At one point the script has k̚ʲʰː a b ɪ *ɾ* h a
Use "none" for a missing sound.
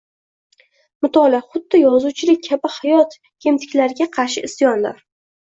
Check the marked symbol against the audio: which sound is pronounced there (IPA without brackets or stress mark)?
none